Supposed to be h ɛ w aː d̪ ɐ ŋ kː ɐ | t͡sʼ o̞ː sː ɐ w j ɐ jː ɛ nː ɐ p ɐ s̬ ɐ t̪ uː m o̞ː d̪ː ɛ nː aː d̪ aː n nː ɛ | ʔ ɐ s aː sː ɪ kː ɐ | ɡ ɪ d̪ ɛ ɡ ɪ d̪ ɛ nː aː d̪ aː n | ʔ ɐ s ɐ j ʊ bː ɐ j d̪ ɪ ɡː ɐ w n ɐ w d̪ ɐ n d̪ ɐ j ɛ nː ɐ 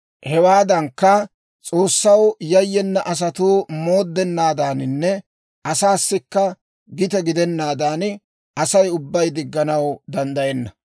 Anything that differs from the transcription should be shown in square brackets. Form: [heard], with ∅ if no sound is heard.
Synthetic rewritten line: h ɛ w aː d̪ ɐ ŋ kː ɐ | t͡sʼ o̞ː sː ɐ w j ɐ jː ɛ nː ɐ [ʔ] ɐ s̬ ɐ t̪ uː m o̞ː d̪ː ɛ nː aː d̪ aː n nː ɛ | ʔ ɐ s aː sː ɪ kː ɐ | ɡ ɪ [t̪] ɛ ɡ ɪ d̪ ɛ nː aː d̪ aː n | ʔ ɐ s ɐ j ʊ bː ɐ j d̪ ɪ ɡː ɐ [∅] n ɐ w d̪ ɐ n d̪ ɐ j ɛ nː ɐ

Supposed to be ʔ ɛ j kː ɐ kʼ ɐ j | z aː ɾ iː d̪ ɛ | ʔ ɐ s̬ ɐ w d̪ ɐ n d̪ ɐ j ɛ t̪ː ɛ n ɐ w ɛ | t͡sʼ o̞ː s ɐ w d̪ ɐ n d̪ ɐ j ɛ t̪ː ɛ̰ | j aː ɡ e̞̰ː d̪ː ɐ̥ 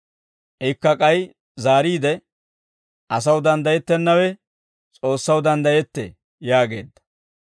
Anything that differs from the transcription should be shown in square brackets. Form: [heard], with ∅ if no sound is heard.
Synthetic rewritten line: ʔ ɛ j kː ɐ kʼ ɐ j | z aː ɾ iː d̪ ɛ | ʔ ɐ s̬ ɐ w d̪ ɐ n d̪ ɐ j ɛ t̪ː ɛ [nː] ɐ w ɛ | t͡sʼ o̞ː [sː] ɐ w d̪ ɐ n d̪ ɐ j ɛ t̪ː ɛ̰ | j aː ɡ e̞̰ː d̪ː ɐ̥

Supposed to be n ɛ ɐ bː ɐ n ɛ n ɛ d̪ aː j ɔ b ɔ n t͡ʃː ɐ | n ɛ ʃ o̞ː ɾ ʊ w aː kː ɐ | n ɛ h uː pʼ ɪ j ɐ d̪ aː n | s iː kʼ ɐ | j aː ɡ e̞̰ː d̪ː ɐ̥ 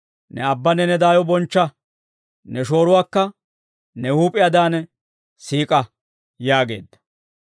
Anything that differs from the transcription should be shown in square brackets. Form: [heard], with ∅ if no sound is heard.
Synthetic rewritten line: n ɛ ɐ bː ɐ n ɛ n ɛ d̪ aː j ɔ b ɔ n t͡ʃː ɐ | n ɛ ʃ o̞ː ɾ ʊ w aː kː ɐ | n ɛ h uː pʼ ɪ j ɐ d̪ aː n | s iː kʼ ɐ | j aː ɡ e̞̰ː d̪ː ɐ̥

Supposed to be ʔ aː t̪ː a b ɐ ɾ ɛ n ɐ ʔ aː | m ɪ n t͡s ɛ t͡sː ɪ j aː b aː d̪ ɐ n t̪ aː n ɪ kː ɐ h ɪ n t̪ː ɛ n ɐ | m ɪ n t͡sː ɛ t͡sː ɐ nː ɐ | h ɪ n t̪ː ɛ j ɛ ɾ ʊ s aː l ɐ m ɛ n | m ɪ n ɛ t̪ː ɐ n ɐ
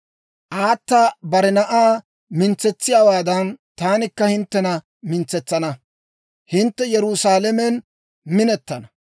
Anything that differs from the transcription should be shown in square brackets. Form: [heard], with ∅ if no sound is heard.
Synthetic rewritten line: ʔ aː t̪ː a b ɐ ɾ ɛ n ɐ ʔ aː | m ɪ n t͡s ɛ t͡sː ɪ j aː [w] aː d̪ ɐ n t̪ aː n ɪ kː ɐ h ɪ n t̪ː ɛ n ɐ | m ɪ n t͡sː ɛ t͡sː ɐ [n] ɐ | h ɪ n t̪ː ɛ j ɛ ɾ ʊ s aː l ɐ m ɛ n | m ɪ n ɛ t̪ː ɐ n ɐ

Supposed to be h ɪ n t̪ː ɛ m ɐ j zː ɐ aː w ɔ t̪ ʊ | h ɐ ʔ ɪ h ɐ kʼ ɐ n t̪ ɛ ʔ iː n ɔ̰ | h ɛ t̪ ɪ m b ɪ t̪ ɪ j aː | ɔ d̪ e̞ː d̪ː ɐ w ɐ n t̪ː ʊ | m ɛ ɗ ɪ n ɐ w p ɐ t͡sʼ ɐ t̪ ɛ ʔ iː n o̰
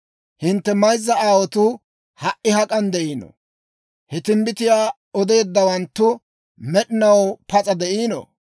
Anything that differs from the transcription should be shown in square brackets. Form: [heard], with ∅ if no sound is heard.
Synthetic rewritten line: h ɪ n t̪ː ɛ m ɐ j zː ɐ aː w ɔ t̪ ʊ | h ɐ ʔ ɪ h ɐ kʼ ɐ n [d̪] ɛ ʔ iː n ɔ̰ | h ɛ t̪ ɪ m b ɪ t̪ ɪ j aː | ɔ d̪ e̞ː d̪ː ɐ w ɐ n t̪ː ʊ | m ɛ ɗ ɪ n ɐ w p ɐ t͡sʼ ɐ [d̪] ɛ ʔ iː n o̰

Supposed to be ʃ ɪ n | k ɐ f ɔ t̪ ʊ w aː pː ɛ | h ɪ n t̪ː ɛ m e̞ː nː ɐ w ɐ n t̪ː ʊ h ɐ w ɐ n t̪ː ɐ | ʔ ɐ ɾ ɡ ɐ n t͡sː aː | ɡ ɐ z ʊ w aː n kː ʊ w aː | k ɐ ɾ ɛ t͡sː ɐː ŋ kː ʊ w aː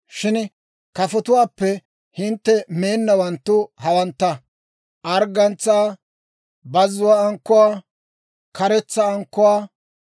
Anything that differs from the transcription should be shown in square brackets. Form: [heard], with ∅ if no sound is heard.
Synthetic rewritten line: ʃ ɪ n | k ɐ f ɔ t̪ ʊ w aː pː ɛ | h ɪ n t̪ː ɛ m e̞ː nː ɐ w ɐ n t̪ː ʊ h ɐ w ɐ n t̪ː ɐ | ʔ ɐ ɾ ɡ ɐ n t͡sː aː | [b] ɐ z ʊ w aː [ŋ] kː ʊ w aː | k ɐ ɾ ɛ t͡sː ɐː ŋ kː ʊ w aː

